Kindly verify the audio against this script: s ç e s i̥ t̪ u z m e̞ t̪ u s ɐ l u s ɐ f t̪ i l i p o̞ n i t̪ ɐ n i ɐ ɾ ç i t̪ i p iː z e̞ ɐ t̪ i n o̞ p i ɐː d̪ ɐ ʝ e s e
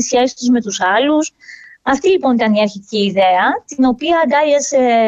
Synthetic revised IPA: s ç e s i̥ t̪ u z m e̞ t̪ u s ɐ l u s ɐ f t̪ i l i p o̞ n i t̪ ɐ n i ɐ ɾ ç i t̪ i c iː ð e̞ ɐ t̪ i n o̞ p i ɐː d̪ ɐ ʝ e s e